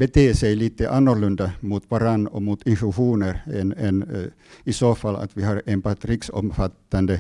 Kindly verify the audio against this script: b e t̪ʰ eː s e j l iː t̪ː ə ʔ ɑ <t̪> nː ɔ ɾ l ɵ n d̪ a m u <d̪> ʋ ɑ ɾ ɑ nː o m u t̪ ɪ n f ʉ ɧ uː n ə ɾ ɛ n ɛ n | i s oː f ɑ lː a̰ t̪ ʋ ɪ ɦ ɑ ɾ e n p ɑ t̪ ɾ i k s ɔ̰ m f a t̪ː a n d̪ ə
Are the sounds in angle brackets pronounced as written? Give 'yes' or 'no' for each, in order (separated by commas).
no, no